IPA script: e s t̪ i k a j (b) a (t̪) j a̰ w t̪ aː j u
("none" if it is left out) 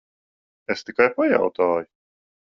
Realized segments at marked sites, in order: p, none

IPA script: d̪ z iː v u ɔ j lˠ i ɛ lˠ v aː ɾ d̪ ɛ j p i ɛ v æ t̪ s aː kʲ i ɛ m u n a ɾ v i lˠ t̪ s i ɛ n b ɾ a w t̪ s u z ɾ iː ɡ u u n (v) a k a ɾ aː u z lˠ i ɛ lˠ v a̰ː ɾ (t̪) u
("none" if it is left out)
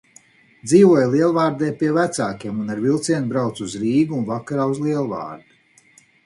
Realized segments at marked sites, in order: v, d̪

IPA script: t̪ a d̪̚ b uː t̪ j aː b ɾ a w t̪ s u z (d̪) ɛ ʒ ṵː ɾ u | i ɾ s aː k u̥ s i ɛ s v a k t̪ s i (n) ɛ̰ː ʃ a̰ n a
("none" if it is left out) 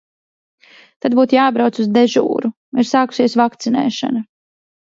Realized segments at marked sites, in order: d̪, n

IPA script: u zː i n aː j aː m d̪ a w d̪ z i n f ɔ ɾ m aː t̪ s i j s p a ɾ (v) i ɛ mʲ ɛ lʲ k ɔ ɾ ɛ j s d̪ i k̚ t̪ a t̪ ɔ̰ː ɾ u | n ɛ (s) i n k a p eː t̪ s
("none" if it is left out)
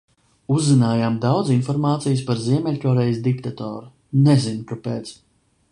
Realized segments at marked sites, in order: z, z

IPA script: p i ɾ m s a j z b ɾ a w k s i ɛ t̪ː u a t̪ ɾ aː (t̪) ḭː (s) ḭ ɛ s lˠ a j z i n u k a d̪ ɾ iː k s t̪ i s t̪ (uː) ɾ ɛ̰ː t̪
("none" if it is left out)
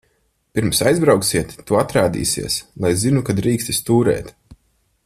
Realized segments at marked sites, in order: d̪, s, uː

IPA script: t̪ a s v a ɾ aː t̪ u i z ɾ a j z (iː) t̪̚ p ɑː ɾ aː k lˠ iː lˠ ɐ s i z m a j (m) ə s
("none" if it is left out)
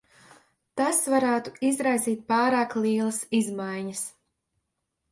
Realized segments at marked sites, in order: iː, ɲ

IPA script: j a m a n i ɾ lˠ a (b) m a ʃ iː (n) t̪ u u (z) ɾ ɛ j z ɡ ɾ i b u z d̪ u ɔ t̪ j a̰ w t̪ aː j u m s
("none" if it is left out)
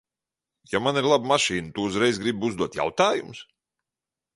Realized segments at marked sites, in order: b, n, z

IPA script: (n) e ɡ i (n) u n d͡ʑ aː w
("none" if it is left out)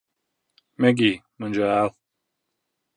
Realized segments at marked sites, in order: m, m

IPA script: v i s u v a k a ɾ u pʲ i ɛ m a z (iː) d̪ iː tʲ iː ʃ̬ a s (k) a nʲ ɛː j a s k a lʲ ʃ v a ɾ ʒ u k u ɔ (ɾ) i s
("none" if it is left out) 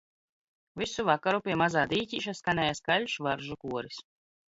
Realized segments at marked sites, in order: aː, k, ɾ

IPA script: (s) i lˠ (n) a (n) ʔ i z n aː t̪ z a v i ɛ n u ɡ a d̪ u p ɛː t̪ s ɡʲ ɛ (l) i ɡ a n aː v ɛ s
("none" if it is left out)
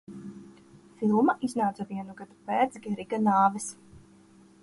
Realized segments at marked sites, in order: f, m, none, ɾ

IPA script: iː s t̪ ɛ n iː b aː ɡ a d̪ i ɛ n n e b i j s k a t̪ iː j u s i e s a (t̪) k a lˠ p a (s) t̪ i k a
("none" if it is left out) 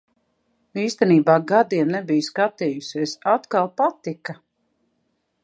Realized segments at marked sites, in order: t̪, none

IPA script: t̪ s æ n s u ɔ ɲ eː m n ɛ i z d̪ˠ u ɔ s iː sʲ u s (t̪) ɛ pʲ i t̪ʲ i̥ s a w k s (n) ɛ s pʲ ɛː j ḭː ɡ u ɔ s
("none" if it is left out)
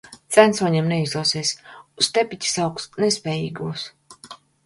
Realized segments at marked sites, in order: t̪, n

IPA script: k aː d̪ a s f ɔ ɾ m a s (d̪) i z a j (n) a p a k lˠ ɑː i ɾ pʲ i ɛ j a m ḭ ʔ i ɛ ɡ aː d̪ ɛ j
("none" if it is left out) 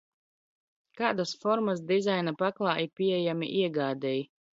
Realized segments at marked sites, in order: d̪, n

